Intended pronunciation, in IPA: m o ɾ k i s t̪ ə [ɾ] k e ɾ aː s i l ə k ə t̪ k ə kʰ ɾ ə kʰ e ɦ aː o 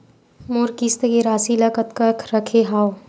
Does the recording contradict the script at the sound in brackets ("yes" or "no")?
yes